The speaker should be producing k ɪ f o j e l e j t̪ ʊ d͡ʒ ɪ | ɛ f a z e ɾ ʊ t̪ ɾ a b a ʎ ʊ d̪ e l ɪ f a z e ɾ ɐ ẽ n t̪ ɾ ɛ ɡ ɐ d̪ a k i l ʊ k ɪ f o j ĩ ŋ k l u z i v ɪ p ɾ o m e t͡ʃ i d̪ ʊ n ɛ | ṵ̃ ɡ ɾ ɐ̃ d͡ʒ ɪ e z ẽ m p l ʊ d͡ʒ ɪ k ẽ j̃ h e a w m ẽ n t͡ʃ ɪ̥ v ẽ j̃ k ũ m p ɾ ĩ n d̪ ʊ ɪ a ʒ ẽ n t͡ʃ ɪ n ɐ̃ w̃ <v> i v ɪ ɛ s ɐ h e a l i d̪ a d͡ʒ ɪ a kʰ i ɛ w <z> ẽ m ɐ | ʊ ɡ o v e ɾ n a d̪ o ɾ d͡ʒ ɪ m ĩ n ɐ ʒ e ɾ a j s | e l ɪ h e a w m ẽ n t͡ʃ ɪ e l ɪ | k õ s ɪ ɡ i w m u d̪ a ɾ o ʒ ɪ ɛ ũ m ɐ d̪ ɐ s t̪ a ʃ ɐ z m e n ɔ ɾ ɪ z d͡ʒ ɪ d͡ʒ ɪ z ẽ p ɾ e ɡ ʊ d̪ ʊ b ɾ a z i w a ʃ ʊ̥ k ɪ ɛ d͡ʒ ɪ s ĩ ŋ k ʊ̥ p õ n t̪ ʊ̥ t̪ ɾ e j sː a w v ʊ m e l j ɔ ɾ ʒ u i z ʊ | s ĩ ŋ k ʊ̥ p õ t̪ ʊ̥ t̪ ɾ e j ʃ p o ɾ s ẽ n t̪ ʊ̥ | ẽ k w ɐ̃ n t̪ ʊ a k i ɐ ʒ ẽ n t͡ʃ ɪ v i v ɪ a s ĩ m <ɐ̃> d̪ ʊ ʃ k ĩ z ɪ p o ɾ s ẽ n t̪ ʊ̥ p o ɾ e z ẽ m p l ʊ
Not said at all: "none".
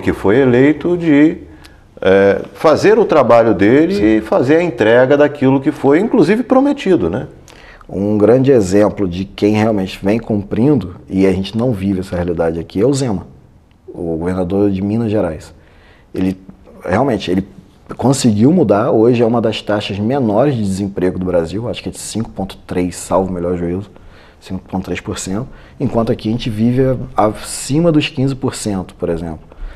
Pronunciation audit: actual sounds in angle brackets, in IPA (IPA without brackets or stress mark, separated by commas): v, z, ɐ